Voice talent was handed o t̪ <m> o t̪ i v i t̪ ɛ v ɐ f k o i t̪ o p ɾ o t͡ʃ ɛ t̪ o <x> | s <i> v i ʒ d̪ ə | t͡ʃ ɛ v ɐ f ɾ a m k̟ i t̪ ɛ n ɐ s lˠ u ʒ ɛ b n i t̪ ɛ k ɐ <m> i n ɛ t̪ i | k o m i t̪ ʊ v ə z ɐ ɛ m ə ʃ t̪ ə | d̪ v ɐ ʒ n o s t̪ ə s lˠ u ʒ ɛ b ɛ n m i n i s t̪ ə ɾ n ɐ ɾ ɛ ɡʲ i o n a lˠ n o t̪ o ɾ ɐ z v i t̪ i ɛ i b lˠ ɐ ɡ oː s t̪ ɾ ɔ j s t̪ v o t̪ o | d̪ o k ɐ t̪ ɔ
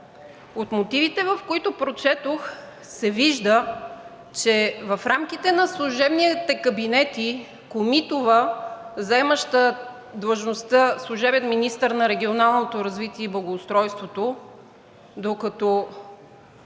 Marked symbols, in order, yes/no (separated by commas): yes, yes, no, no